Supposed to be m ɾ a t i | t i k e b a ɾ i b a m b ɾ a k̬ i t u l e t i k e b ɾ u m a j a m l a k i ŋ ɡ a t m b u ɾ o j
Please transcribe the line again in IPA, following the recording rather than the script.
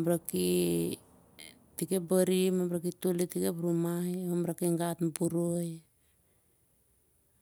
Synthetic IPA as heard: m ɾ a k i | t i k e b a ɾ i m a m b ɾ a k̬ i t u l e t i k e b ɾ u m a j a m ɾ a k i ŋ ɡ a t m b u ɾ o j